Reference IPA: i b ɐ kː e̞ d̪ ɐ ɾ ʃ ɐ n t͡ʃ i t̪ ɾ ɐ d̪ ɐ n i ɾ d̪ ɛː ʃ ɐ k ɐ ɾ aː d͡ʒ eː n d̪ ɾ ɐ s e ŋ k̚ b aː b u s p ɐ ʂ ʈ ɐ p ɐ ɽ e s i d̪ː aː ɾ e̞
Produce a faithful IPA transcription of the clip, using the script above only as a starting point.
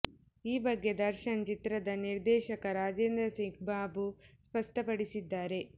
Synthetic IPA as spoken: iː b ɐ ɡː e̞ d̪ ɐ ɾ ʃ ɐ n t͡ʃ i t̪ ɾ ɐ d̪ ɐ n i ɾ d̪ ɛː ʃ ɐ k ɐ ɾ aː d͡ʒ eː n d̪ ɾ ɐ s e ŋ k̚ b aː b u s p ɐ ʂ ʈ ɐ p ɐ ɽ i s i d̪ː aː ɾ e̞

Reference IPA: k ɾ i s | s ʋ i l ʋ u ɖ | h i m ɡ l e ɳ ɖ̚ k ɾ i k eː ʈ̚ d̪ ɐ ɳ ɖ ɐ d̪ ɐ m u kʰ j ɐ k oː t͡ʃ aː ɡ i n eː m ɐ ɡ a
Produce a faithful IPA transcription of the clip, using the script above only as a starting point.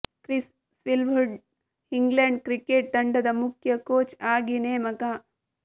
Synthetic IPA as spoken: k ɾ i s | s ʋ i l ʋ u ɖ | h i ŋ ɡ l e ɳ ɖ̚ k ɾ i k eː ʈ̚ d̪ ɐ ɳ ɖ ɐ d̪ ɐ m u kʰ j ɐ k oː t͡ʃ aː ɡ i n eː m ɐ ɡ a

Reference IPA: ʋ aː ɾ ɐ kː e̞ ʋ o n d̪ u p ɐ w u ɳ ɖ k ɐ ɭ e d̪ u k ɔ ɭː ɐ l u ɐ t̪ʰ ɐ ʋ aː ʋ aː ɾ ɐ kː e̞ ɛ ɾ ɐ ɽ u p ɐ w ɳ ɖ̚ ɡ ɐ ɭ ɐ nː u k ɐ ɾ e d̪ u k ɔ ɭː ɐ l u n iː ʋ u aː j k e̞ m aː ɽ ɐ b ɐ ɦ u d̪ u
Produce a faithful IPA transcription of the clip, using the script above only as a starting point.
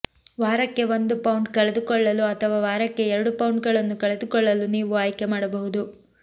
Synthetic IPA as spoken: ʋ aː ɾ ɐ kː e̞ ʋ o n d̪ u p ɐ w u ɳ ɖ k ɐ ɭ e d̪ u k ɔ ɭː ɐ l u ɐ t̪ʰ ɐ ʋ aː ʋ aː ɾ ɐ kː e̞ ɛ ɾ ɐ ɽ u p ɐ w ɳ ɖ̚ ɡ ɐ ɭ ɐ nː u k ɐ ɭ e d̪ u k ɔ ɭː ɐ l u n iː ʋ u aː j k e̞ m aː ɽ ɐ b ɐ ɦ u d̪ u

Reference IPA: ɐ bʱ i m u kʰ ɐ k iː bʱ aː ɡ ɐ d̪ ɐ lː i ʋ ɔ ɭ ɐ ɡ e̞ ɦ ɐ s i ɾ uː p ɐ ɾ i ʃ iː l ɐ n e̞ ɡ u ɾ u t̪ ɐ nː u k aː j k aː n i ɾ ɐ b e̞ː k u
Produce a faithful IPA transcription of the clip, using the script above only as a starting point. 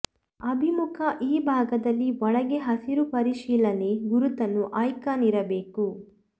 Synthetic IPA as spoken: ɐ bʱ i m u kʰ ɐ ʔ iː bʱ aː ɡ ɐ d̪ ɐ lː i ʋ ɔ ɭ ɐ ɡ e̞ ɦ ɐ s i ɾ u p ɐ ɾ i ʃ iː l ɐ n e̞ ɡ u ɾ u t̪ ɐ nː u ʔ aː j k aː n i ɾ ɐ b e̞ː k u

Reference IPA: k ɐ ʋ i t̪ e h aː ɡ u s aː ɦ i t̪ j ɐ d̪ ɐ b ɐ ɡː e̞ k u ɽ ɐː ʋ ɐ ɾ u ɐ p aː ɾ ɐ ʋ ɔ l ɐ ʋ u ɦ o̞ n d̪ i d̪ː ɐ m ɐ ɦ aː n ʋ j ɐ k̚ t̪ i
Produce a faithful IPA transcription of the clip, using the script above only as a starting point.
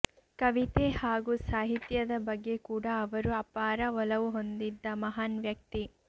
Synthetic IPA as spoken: k ɐ ʋ i t̪ e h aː ɡ u s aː ɦ i t̪ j ɐ d̪ ɐ b ɐ ɡː e̞ k uː ɽ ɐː ʋ ɐ ɾ u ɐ p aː ɾ ɐ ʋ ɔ l ɐ ʋ u ɦ o̞ n d̪ i d̪ː ɐ m ɐ ɦ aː n ʋ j ɐ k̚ t̪ i

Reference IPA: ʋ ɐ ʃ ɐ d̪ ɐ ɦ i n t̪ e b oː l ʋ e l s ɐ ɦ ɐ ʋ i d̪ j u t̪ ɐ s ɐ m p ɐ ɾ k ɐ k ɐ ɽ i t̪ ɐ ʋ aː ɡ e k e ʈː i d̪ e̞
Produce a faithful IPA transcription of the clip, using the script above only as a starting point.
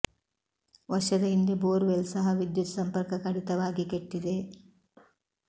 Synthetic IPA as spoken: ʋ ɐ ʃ ɐ d̪ ɐ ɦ i n d̪ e b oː ɾ ʋ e l s ɐ ɦ ɐ ʋ i d̪ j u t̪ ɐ s ɐ m p ɐ ɾ k ɐ k ɐ ɽ i t̪ ɐ ʋ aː ɡ i k e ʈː i d̪ e̞

